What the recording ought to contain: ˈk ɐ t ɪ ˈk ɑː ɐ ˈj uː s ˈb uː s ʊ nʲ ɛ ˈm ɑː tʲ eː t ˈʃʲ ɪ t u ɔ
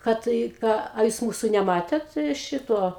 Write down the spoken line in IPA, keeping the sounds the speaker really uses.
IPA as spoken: ˈk ɐ t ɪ ˈk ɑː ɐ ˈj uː s ˈm uː s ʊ nʲ ɛ ˈm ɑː tʲ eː t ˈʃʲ ɪ t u ɔ